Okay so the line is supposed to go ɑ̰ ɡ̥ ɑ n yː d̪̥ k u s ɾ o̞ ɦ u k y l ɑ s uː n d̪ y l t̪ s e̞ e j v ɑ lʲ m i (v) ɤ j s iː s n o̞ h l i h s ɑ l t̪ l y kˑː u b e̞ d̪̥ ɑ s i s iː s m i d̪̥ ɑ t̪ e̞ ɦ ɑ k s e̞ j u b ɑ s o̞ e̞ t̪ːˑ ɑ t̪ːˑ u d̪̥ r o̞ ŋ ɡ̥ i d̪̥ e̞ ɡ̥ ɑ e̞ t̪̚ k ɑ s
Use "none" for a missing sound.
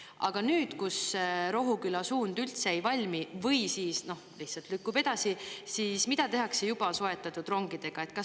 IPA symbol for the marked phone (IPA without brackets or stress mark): v